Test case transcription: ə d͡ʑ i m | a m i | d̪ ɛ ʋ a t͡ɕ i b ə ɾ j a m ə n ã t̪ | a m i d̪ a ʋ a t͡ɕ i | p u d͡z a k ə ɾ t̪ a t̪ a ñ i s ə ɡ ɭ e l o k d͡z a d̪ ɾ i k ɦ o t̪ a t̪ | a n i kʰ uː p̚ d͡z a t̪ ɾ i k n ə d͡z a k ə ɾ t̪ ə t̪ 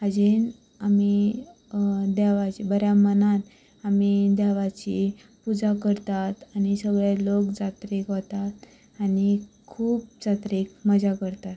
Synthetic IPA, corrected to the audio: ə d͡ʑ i n | a m i | d̪ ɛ ʋ a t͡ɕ i b ə ɾ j a m ə n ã t̪ | a m i d̪ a ʋ a t͡ɕ i | p u d͡z a k ə ɾ t̪ a t̪ a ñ i s ə ɡ ɭ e l o k d͡z a t̪ ɾ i k ɦ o t̪ a t̪ | a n i kʰ uː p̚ d͡z a t̪ ɾ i k m ə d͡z a k ə ɾ t̪ a t̪